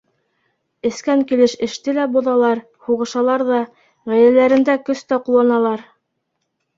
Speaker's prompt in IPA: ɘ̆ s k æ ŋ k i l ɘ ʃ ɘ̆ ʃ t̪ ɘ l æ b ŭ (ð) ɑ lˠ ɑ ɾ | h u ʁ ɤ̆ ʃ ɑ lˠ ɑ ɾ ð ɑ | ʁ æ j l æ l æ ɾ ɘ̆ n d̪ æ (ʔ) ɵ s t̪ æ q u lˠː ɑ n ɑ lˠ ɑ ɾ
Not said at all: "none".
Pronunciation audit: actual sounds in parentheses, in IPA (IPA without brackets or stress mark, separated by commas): ð, k